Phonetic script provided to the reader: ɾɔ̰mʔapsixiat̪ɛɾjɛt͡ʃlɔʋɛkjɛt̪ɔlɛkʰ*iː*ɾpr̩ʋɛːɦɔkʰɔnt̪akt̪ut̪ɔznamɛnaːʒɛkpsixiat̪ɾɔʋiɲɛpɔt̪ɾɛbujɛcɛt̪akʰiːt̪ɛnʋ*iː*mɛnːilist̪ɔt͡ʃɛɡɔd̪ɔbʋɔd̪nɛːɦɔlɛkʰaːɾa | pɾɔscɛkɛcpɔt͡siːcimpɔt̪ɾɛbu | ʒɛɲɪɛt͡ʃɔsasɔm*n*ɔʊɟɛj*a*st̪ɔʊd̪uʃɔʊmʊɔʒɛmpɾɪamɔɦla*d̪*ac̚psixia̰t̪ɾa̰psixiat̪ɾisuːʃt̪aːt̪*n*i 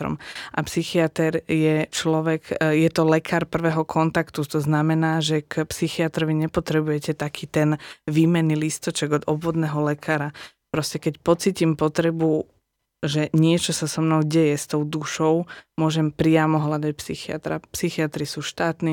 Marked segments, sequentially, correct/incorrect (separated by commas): incorrect, correct, correct, incorrect, correct, correct